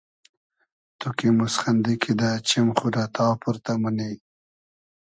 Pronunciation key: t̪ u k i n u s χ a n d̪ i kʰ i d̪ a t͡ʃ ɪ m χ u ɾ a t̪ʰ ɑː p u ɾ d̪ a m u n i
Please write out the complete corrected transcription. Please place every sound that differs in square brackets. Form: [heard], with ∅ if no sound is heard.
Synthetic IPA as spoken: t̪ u k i [m] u s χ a n d̪ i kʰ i d̪ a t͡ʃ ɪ m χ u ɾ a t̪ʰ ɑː p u ɾ [t̪] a m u n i